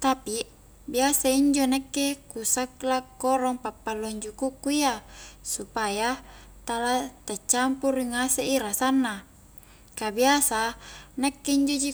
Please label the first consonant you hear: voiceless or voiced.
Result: voiceless